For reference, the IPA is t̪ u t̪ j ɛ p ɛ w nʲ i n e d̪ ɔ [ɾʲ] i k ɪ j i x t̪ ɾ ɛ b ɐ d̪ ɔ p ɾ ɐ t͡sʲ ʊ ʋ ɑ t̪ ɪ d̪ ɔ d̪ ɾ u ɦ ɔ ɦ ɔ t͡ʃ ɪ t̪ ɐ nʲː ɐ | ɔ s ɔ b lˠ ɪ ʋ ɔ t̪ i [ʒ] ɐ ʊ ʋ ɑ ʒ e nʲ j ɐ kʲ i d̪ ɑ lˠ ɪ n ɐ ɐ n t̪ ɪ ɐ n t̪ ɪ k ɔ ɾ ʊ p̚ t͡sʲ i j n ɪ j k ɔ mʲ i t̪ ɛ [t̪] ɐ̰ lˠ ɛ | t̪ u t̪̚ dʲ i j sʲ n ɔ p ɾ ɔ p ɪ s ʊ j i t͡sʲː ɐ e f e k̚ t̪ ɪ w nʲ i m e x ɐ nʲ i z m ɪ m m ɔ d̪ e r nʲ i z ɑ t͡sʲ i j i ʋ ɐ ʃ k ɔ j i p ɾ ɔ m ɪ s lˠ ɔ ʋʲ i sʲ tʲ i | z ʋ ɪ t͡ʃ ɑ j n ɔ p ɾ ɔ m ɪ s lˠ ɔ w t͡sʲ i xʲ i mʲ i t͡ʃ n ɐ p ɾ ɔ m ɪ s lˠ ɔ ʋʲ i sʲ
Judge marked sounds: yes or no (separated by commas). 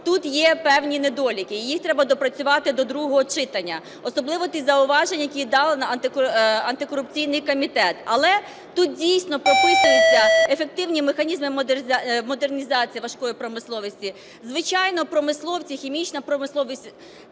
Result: no, no, yes